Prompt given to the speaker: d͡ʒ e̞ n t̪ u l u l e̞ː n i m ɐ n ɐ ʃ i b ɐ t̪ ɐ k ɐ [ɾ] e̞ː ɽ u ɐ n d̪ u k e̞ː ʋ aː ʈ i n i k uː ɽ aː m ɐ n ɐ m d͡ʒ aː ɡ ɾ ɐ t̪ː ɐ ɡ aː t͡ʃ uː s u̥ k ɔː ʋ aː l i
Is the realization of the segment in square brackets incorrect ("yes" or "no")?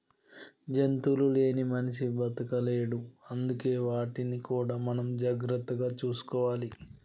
yes